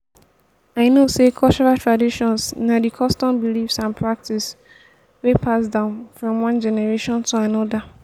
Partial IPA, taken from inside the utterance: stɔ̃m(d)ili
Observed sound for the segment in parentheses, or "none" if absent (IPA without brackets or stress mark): b